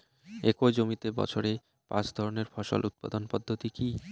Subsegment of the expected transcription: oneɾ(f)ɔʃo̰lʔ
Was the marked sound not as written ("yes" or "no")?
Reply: no